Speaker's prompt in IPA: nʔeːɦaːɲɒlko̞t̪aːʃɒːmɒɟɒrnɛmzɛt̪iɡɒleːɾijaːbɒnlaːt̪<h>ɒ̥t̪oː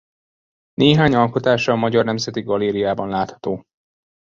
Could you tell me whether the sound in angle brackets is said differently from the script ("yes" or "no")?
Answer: no